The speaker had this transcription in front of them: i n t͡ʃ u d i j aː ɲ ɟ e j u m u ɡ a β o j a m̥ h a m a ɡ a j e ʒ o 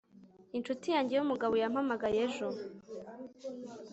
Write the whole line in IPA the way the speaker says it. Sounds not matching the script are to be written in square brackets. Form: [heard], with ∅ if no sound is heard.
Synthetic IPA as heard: i n t͡ʃ u [t] i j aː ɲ ɟ e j u m u ɡ a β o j a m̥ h a m a ɡ a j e ʒ o